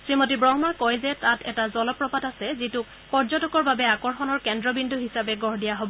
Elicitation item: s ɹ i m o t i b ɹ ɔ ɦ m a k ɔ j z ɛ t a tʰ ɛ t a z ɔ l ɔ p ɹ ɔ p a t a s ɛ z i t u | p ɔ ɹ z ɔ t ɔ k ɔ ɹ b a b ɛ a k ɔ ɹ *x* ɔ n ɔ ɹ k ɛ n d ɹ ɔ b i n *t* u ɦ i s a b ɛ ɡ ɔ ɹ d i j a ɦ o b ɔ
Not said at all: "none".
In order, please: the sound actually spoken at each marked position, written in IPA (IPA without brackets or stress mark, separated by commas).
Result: x, d